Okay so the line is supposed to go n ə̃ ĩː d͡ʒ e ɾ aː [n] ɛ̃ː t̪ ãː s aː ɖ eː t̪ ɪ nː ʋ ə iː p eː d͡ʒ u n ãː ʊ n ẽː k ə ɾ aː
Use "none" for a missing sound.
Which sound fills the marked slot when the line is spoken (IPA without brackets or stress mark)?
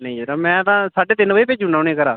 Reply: m